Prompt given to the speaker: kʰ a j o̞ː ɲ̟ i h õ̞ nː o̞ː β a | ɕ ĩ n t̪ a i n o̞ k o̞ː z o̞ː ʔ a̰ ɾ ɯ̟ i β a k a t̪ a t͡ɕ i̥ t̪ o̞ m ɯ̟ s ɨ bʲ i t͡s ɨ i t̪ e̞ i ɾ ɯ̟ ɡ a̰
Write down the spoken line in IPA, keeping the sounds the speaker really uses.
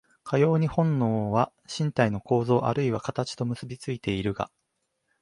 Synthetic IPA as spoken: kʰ a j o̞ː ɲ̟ i h õ̞ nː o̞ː β a | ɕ ĩ n t̪ a i n o̞ k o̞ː z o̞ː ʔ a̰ ɾ ɯ̟ i β a k a t̪ a t͡ɕ i̥ t̪ o̞ m ɯ̟ s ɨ bʲ i t͡s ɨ i t̪ e̞ i ɾ ɯ̟ ɡ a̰